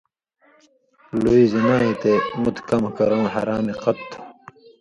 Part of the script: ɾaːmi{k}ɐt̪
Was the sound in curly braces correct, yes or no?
no